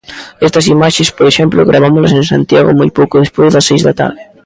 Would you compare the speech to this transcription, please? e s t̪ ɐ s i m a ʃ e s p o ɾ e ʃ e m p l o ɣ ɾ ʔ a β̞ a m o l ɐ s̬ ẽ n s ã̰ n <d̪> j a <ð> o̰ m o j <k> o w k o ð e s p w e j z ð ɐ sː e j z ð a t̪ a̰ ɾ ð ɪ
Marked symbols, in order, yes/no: no, no, no

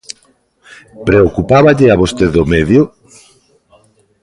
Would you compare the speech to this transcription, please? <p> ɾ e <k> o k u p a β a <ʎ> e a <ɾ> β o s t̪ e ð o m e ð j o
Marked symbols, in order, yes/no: yes, no, yes, no

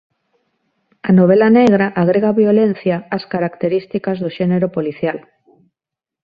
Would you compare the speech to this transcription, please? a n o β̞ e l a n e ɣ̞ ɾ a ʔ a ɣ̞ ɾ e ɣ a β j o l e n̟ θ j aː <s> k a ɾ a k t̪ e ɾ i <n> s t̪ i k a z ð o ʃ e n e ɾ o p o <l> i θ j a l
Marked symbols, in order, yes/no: yes, no, yes

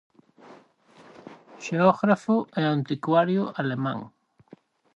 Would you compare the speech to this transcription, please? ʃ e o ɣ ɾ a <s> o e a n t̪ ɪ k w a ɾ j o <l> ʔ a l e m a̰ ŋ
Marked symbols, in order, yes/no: no, no

